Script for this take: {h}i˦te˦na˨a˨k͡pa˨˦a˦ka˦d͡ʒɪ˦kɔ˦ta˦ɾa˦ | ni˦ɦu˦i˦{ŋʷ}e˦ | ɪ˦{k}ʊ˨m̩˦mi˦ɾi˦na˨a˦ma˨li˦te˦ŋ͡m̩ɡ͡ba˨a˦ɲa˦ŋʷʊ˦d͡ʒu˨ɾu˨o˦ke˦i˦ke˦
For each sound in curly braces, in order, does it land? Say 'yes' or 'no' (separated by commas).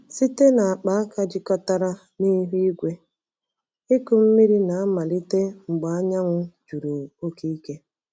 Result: no, no, yes